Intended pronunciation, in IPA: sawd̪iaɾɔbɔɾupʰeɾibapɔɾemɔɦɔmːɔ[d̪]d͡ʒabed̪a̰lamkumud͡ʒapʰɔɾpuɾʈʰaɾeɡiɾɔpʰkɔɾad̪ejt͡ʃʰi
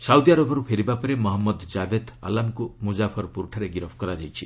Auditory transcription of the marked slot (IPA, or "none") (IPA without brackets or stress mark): d̪